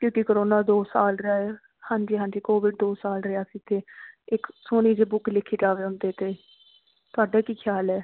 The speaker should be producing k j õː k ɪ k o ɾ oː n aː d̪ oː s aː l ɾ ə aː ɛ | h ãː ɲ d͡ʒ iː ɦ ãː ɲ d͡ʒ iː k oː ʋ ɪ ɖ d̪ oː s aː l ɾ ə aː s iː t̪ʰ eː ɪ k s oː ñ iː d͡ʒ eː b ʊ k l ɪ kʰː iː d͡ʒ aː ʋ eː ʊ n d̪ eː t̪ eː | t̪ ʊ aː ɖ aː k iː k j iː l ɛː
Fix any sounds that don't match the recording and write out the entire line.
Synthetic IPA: k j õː k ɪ k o ɾ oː n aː d̪ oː s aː l ɾ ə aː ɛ | h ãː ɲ d͡ʒ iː ɦ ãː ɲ d͡ʒ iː k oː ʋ ɪ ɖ d̪ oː s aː l ɾ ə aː s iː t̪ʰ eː ɪ k s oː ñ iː d͡ʒ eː b ʊ k l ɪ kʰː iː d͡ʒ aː ʋ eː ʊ n d̪ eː t̪ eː | t̪ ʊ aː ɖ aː k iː kʰ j aː l ɛː